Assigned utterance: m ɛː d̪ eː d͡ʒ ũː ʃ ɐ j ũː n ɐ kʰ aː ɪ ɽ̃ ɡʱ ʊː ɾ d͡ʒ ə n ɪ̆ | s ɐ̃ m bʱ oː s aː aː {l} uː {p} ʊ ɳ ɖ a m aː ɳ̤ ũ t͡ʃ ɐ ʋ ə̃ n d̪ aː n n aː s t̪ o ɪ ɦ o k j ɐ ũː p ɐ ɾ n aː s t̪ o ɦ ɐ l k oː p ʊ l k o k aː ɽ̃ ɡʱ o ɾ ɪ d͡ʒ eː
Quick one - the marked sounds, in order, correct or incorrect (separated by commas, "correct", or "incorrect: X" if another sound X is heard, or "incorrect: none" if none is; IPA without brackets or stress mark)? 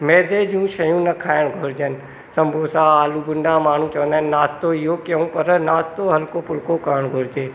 correct, incorrect: b